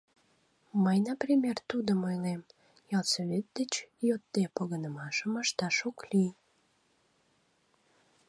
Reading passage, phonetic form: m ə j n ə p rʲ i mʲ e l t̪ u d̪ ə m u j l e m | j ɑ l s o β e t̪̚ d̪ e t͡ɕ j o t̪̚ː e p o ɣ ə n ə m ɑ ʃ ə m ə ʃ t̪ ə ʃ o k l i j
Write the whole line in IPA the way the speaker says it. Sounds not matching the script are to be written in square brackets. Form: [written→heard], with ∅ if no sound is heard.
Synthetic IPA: m ə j n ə p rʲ i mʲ e [l→r] t̪ u d̪ ə m [u→o] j l e m | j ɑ l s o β e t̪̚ d̪ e t͡ɕ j o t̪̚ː e p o ɣ ə n ə m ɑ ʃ ə m ə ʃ t̪ [ə→ɑ] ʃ o k l i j